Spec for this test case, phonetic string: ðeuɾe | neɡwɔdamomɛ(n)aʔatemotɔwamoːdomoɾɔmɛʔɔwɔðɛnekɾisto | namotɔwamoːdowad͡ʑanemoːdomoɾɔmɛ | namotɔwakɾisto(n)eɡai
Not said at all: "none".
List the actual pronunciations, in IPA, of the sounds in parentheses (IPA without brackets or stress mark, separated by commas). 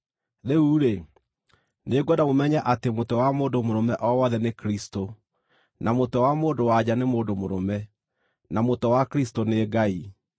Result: ɲ, n